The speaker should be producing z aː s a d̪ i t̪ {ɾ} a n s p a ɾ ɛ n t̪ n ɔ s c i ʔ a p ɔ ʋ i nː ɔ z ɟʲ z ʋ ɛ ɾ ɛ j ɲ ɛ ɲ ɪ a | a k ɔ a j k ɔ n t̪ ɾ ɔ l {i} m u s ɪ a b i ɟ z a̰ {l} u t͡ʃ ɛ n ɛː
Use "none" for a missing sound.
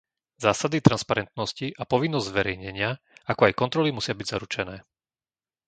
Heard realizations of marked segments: ɾ, i, ɾ

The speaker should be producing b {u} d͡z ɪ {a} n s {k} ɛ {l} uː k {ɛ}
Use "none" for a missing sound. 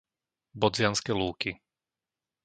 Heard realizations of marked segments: ɔ, a, k, l, i

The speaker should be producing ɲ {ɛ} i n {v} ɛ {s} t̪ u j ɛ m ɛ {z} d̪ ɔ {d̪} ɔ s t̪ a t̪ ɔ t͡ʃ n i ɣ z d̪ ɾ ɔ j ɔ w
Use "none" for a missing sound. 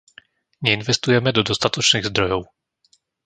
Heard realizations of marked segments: ɛ, v, s, none, d̪

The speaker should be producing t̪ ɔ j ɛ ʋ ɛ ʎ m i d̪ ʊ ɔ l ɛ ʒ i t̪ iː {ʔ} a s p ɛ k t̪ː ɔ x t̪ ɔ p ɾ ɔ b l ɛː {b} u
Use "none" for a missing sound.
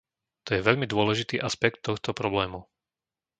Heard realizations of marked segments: ʔ, m

